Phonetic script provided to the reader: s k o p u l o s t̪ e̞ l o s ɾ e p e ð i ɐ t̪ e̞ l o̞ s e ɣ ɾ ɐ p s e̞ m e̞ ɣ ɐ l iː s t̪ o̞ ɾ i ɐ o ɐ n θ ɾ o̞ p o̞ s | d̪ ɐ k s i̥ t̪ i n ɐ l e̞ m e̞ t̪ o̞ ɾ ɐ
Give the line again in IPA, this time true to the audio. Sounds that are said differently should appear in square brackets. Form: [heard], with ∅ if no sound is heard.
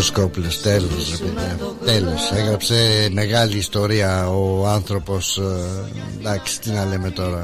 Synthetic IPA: s k o p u l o s t̪ e̞ l o s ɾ e p e ð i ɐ t̪ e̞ l o̞ s e ɣ ɾ ɐ p s e̞ m e̞ ɣ ɐ l iː s t̪ o̞ ɾ i ɐ o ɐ n θ ɾ o̞ p o̞ s | d̪ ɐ k s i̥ t̪ i n ɐ l e̞ m e̞ t̪ o̞ ɾ ɐ